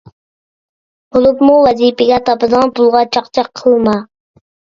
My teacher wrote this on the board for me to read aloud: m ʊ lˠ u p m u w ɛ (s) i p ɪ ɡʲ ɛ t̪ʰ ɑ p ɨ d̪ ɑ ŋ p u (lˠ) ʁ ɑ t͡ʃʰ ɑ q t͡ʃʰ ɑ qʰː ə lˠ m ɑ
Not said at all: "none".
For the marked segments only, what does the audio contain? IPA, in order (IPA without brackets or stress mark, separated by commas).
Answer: z, lˠ